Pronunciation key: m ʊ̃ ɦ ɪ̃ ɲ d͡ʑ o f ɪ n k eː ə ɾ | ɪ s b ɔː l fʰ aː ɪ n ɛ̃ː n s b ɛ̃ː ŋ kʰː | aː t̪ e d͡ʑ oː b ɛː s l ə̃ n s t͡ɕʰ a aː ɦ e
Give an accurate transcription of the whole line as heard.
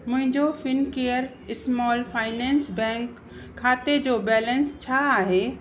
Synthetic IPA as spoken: m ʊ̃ ɦ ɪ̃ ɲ d͡ʑ o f ɪ n k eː ə ɾ | ɪ s m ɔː l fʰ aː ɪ n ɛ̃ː n s b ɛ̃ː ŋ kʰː | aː t̪ e d͡ʑ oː b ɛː l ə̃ n s t͡ɕʰ a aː ɦ e